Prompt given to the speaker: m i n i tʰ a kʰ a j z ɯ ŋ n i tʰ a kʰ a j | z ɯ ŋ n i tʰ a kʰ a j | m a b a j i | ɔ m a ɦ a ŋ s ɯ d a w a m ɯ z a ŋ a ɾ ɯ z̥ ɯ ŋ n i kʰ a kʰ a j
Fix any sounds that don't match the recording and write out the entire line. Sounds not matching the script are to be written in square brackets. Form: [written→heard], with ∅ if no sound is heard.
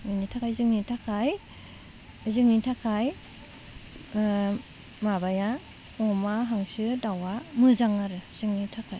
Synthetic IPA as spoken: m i n i tʰ a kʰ a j z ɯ ŋ n i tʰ a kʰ a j | z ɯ ŋ n i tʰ a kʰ a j | m a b a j [i→a] | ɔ m a ɦ a ŋ s ɯ d a w a m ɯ z a ŋ a ɾ ɯ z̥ ɯ ŋ n i [kʰ→tʰ] a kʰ a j